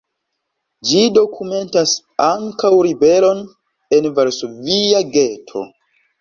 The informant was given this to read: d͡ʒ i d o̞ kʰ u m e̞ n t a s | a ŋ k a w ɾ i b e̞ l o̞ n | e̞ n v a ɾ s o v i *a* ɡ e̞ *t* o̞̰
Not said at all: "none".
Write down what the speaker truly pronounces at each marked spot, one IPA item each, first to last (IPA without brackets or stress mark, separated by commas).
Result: a, tʰ